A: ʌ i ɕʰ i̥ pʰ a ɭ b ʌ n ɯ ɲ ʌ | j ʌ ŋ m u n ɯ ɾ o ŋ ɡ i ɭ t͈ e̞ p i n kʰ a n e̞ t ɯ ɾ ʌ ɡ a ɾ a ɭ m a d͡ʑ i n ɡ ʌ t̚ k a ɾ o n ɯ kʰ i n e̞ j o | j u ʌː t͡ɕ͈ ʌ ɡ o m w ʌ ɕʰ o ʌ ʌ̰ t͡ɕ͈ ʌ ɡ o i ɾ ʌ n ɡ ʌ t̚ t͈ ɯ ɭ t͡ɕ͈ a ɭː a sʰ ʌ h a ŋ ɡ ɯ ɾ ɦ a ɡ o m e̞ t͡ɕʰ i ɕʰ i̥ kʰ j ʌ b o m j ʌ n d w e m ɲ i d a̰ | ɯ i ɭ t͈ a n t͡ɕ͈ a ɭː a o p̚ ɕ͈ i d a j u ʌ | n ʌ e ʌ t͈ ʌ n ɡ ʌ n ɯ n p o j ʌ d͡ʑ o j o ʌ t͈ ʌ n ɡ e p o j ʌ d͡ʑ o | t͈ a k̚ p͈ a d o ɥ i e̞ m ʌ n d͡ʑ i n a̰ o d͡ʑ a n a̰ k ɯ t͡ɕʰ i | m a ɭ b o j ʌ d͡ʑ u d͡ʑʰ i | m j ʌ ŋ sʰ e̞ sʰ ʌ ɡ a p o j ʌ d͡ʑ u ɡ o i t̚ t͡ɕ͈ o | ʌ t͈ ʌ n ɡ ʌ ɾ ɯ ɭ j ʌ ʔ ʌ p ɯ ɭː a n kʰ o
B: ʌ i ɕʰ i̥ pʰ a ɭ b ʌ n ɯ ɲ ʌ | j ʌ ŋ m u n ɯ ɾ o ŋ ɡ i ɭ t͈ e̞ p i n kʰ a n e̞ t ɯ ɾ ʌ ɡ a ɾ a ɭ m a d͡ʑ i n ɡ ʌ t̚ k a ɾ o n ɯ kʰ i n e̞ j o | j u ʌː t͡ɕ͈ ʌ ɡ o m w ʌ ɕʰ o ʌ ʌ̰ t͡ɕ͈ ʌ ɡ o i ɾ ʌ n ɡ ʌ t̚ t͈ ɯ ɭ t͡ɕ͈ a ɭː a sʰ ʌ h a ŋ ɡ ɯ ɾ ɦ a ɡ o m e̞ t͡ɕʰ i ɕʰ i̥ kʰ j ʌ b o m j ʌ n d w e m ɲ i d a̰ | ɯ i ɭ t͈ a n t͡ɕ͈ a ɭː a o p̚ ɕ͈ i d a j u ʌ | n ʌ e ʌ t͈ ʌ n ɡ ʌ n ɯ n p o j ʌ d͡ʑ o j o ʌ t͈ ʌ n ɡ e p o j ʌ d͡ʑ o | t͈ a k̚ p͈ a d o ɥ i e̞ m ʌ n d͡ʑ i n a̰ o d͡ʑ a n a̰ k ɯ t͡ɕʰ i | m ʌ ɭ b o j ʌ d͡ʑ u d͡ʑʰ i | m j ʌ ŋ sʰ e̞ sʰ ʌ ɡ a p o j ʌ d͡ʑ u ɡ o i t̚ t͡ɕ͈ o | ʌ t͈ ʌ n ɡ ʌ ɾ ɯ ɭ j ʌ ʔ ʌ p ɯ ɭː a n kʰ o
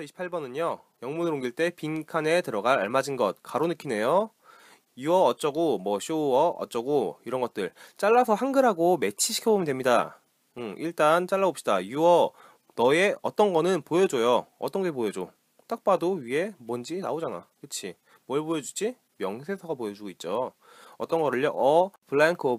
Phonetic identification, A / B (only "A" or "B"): B